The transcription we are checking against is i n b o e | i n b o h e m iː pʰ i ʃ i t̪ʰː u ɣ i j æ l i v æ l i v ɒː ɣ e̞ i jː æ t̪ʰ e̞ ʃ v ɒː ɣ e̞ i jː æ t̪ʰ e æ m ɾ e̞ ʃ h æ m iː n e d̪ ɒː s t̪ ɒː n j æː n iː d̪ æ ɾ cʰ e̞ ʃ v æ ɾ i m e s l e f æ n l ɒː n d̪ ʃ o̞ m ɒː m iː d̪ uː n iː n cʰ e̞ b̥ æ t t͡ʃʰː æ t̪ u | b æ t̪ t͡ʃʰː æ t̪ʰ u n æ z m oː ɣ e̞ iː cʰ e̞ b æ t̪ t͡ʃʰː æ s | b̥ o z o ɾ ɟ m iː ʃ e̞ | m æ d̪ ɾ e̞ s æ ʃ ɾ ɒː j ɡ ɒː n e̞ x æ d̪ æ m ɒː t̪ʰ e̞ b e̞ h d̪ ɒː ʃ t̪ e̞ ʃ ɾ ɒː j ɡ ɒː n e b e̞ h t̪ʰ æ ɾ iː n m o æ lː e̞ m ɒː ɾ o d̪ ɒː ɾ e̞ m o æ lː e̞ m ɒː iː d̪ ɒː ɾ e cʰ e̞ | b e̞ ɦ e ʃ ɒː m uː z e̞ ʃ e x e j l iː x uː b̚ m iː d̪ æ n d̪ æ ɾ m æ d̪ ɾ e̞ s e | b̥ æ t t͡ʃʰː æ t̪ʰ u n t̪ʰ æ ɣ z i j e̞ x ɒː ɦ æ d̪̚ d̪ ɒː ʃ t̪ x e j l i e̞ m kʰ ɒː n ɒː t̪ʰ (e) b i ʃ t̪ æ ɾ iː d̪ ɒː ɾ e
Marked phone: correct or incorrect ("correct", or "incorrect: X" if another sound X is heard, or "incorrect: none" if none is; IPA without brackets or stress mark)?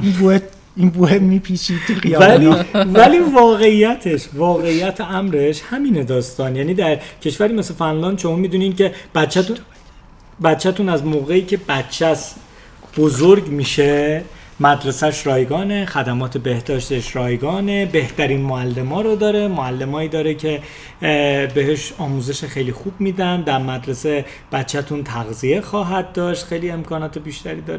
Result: correct